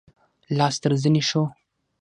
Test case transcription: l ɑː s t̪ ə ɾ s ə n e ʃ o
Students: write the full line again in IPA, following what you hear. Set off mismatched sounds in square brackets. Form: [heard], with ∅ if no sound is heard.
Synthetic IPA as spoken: l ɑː s t̪ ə ɾ [z] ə n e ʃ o

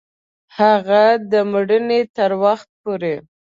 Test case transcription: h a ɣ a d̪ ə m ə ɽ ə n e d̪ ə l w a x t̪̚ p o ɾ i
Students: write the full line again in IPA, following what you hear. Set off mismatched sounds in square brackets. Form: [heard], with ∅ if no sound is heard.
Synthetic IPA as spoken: h a ɣ a d̪ ə m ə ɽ ə n e [t̪] ə [ɾ] w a x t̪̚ p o ɾ [e]

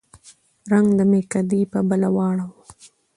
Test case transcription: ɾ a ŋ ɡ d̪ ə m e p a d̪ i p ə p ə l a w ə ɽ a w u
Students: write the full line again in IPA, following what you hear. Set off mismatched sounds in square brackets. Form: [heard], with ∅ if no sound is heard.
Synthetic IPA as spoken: ɾ a ŋ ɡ d̪ ə m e [k] a d̪ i p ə [b] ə l a w [ɑ] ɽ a w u

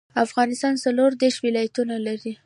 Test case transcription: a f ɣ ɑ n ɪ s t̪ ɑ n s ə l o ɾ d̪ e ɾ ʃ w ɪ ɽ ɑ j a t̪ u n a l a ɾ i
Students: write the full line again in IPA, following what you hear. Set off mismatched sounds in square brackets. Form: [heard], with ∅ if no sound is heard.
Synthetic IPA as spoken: a f ɣ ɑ n ɪ s t̪ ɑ n s [a] l o ɾ d̪ e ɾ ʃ w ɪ [l] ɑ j a t̪ u n a l a ɾ i

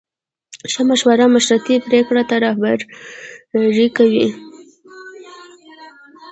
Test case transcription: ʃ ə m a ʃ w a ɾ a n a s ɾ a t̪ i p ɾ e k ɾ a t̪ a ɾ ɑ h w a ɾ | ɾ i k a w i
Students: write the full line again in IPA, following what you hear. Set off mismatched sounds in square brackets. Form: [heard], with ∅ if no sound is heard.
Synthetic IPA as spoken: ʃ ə m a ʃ w a ɾ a [m] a [ʃ] ɾ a t̪ i p ɾ e k [ɽ] a t̪ a ɾ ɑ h [b] a ɾ | ɾ i k a w i

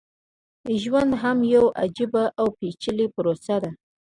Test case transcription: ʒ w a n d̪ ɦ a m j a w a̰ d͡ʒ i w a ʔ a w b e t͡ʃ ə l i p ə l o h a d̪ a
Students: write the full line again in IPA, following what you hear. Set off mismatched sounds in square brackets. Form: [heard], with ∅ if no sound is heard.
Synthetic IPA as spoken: ʒ w a n d̪ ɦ a m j a w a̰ d͡ʒ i [b] a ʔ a w [p] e t͡ʃ ə l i p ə [ɾ] o [s] a d̪ a

